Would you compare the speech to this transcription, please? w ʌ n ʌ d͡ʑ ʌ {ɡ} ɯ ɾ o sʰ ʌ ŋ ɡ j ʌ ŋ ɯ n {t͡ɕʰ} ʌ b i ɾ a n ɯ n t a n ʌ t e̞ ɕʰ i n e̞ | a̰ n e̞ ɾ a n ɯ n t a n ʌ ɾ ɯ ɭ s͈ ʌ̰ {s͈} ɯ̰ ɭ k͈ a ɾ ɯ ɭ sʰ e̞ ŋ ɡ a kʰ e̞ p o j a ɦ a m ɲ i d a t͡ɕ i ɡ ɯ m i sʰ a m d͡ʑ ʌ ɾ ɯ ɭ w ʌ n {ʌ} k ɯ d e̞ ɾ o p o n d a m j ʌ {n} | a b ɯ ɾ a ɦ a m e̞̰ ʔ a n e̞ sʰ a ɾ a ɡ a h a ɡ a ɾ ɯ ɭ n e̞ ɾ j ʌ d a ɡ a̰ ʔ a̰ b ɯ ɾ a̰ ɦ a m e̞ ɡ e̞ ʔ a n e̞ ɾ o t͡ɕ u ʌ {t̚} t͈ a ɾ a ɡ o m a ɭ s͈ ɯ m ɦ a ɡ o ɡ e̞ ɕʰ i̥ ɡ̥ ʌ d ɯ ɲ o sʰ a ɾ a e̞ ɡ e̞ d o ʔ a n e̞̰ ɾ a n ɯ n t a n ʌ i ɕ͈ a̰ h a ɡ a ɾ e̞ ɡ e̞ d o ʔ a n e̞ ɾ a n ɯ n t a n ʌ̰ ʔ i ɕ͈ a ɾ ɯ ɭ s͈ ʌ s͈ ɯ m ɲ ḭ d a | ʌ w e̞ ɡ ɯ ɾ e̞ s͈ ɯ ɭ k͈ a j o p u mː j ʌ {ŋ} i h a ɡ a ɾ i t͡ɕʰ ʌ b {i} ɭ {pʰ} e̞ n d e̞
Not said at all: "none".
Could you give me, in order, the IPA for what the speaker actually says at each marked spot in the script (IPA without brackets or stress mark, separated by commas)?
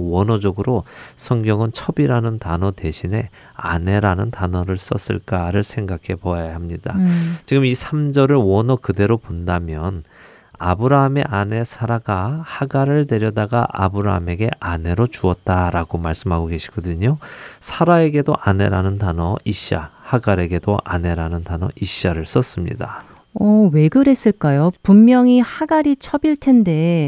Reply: ɡ, t͡ɕʰ, s͈, ʌ, n, t̚, ŋ, i, tʰ